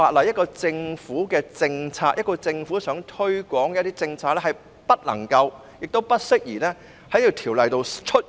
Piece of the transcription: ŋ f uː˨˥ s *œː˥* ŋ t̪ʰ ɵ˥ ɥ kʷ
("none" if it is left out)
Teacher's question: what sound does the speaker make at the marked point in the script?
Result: œː˨˥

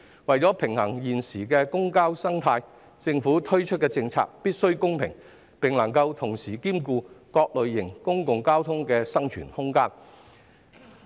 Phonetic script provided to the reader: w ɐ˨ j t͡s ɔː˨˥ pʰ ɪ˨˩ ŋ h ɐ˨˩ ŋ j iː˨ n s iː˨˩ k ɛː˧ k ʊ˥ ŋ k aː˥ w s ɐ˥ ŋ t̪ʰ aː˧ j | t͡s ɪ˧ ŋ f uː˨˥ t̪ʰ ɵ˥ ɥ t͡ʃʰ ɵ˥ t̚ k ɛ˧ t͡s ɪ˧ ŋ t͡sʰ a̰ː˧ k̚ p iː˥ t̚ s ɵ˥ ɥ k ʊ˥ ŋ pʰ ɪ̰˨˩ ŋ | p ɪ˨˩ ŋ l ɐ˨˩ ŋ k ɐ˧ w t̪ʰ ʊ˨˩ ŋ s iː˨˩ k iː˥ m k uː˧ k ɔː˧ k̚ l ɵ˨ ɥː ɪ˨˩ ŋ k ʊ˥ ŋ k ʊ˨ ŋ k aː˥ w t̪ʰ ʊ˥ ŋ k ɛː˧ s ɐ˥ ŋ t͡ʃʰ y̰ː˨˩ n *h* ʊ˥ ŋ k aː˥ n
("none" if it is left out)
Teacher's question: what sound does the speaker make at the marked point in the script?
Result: h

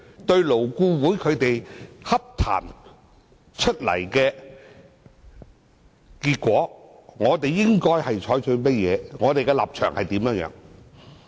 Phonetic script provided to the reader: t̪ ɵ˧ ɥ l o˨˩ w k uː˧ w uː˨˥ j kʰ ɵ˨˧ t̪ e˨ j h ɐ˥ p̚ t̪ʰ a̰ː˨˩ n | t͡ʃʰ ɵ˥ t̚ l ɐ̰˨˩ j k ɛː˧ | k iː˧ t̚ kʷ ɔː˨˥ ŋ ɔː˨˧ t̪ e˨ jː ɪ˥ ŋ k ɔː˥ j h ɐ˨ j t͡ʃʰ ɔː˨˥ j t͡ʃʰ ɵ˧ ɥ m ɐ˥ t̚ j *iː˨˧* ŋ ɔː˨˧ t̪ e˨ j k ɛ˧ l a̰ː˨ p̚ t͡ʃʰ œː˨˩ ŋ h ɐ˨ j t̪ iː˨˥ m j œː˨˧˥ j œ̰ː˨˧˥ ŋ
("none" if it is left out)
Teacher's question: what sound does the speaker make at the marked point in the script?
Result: ɛː˨˧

